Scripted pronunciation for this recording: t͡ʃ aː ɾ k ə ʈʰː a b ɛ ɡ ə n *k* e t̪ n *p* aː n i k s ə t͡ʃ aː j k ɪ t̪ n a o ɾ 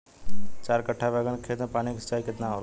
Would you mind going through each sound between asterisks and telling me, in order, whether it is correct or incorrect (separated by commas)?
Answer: incorrect, correct